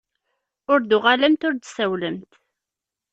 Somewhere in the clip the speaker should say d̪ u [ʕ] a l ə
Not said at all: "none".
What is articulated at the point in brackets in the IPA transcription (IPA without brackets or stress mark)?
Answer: ʁ